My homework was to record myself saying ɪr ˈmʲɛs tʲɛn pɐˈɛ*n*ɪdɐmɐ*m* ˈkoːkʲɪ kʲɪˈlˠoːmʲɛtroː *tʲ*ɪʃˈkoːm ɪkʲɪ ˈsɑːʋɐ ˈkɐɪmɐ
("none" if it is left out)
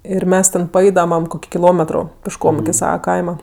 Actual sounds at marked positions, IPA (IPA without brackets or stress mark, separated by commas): none, m, pʲ